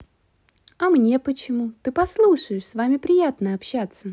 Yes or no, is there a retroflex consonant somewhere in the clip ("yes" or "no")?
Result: yes